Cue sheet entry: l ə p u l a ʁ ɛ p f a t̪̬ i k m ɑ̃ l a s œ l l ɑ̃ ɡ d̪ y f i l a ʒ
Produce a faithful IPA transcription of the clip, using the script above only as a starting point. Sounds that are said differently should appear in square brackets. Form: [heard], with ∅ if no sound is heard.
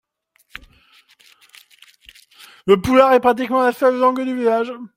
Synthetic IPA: l ə p u l a ʁ ɛ p [χ] a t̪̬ i k m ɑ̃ l a s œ l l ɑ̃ ɡ d̪ y [v] i l a ʒ